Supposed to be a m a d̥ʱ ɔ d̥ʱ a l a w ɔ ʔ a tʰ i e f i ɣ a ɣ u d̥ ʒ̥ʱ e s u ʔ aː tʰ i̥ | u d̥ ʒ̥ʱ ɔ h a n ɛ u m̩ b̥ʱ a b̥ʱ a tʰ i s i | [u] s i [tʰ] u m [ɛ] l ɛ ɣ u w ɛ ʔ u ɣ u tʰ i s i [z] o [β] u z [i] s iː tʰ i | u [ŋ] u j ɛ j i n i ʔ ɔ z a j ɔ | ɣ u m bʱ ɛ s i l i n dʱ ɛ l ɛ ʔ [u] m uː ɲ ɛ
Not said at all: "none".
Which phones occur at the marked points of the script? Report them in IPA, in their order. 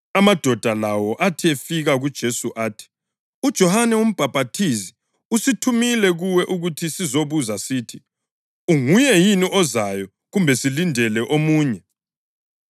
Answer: u, tʰ, i, z, β, a, ŋ, o

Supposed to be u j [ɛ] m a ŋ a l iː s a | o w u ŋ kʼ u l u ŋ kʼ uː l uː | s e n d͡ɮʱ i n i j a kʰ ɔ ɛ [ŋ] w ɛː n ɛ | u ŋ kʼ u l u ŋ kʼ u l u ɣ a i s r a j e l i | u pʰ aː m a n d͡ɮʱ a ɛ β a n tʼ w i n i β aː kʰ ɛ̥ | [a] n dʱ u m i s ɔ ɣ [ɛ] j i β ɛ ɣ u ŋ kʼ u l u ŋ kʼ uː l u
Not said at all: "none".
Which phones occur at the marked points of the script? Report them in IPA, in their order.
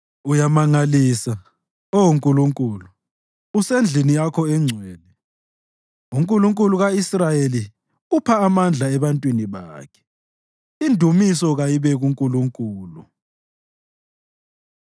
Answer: a, ŋ͡ǀʱ, i, a

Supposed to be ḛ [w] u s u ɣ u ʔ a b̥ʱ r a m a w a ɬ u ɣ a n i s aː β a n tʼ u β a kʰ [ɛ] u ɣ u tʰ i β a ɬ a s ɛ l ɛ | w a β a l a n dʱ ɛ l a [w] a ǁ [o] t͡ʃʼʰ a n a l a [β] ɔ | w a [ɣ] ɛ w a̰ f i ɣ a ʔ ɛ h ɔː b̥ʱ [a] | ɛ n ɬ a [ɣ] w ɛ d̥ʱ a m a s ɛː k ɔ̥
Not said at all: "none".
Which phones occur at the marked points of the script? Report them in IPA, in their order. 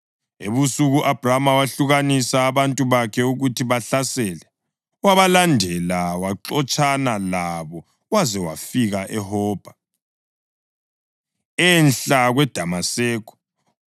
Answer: β, ɛ, w, ɔ, β, z, a, ɣ

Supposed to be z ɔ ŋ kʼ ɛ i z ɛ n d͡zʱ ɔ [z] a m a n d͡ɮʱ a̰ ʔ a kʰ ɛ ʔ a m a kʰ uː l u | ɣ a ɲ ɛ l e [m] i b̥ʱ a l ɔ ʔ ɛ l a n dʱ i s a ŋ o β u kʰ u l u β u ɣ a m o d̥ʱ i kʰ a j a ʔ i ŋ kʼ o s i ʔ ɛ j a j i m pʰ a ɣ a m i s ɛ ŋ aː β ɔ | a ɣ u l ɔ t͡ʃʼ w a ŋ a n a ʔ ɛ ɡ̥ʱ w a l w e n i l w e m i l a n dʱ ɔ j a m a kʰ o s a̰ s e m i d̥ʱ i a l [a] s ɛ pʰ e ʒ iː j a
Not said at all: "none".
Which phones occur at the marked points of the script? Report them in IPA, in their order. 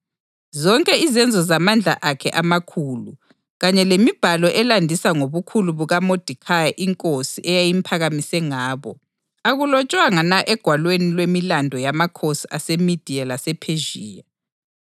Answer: z, m, a

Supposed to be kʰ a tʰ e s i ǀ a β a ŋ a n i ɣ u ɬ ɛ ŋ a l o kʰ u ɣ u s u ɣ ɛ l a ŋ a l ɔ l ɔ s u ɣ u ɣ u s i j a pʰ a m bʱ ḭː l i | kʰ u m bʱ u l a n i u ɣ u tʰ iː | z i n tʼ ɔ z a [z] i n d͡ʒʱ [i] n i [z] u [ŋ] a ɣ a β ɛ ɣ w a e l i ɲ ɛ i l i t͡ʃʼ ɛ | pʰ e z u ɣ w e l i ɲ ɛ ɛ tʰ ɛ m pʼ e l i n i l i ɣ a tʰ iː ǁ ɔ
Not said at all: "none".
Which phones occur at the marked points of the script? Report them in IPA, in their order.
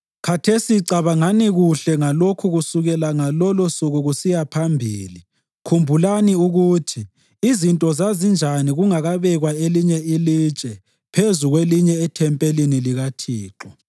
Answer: z, a, ɣ, ŋ

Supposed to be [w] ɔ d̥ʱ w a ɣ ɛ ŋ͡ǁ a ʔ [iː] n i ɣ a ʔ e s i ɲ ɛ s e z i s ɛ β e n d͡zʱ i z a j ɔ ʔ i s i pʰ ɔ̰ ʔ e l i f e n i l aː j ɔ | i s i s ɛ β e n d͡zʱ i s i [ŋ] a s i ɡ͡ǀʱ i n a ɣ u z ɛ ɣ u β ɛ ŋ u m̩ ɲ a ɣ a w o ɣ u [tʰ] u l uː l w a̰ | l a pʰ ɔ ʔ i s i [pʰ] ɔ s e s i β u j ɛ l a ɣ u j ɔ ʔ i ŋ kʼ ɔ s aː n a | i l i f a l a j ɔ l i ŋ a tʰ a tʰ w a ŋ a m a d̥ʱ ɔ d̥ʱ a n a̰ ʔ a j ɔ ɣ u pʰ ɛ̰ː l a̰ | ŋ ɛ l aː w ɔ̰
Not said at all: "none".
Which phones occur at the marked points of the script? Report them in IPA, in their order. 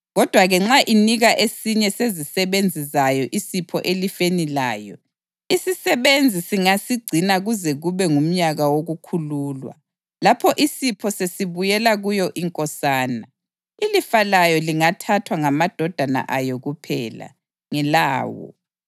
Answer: ɣ, i, ŋ, kʰ, pʰ

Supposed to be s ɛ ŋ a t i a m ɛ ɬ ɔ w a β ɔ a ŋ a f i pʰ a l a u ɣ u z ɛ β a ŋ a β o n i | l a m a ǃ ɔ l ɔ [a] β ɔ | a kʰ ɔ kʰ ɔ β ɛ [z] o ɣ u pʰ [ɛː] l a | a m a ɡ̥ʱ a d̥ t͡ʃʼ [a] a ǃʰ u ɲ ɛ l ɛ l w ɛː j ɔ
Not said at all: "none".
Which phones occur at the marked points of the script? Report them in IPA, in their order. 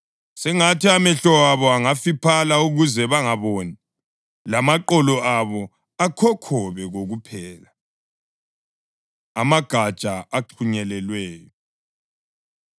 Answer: a, ɣ, ɛː, a

